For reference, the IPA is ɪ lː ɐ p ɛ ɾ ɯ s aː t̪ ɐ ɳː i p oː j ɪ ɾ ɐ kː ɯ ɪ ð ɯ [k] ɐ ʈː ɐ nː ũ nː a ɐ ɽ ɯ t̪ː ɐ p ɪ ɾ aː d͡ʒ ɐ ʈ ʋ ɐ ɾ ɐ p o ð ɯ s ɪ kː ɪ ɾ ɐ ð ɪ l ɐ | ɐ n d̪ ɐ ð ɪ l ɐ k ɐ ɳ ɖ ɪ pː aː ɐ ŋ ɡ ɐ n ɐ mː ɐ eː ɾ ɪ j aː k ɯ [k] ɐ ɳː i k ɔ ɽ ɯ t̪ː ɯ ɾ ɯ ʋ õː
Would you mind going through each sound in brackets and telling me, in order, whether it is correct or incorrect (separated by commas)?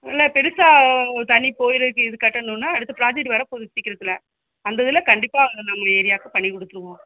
correct, incorrect